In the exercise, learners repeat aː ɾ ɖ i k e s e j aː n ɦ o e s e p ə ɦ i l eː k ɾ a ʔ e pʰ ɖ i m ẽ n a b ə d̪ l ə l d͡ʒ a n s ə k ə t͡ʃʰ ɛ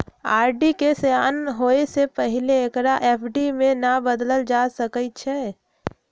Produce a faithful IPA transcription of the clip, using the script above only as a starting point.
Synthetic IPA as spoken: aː ɾ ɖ i k e s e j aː n ɦ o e s e p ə ɦ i l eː k ɾ a ʔ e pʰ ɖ i m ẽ n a b ə d̪ l ə l d͡ʒ a s ə k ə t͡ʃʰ ɛ